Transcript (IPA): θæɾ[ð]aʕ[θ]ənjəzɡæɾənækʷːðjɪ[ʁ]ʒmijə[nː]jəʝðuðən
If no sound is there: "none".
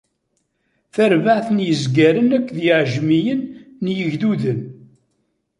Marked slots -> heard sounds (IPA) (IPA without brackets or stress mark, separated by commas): v, θ, ʕ, nː